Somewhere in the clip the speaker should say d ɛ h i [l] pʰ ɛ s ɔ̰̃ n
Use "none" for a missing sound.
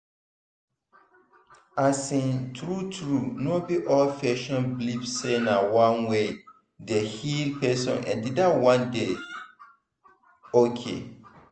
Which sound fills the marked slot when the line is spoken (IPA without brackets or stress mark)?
l